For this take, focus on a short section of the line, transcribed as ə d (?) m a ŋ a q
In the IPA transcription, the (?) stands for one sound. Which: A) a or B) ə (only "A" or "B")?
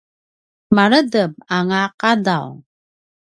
B